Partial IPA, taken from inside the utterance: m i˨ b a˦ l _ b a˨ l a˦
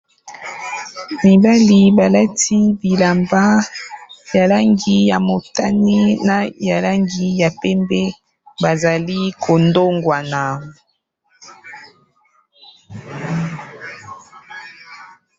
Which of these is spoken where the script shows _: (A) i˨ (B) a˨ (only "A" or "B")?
A